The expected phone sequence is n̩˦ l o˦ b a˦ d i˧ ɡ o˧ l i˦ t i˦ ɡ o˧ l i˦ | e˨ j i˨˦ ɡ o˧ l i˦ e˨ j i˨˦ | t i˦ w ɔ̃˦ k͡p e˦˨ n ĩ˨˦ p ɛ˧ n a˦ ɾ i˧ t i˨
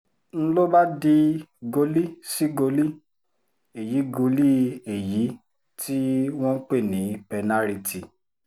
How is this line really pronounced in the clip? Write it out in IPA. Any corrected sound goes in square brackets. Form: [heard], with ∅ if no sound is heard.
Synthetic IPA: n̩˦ l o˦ b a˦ d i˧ ɡ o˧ l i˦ [s] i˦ ɡ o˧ l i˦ | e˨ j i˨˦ ɡ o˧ l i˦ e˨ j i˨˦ | t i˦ w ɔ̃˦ k͡p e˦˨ n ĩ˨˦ p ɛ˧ n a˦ ɾ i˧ t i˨